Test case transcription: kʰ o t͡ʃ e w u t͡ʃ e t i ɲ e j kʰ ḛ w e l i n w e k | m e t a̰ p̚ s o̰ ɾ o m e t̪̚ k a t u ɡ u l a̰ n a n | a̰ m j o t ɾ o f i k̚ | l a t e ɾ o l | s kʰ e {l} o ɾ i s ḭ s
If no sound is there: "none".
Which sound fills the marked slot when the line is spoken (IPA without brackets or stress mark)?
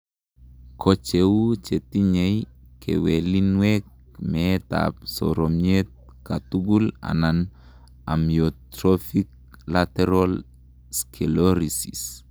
l